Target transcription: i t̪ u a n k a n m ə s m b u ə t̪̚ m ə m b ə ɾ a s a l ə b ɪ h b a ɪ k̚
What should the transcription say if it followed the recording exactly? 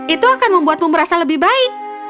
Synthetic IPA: i t̪ u a k a n m ə m b u a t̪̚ m ə m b ə ɾ a s a l ə b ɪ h b a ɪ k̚